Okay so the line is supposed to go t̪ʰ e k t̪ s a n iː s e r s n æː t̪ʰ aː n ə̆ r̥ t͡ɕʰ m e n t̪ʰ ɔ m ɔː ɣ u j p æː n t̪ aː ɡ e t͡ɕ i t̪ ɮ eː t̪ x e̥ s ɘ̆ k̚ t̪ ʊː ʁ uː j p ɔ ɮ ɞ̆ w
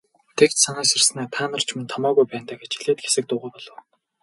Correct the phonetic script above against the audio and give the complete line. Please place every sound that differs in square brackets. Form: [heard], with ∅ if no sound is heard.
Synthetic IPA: t̪ʰ e k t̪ s a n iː s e r s n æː t̪ʰ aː n ə̆ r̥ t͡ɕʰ m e n t̪ʰ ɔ m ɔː ɣ u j p æː n t̪ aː ɡ e t͡ɕ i [∅] ɮ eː t̪ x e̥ s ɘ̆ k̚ t̪ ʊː ʁ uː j p ɔ ɮ ɞ̆ w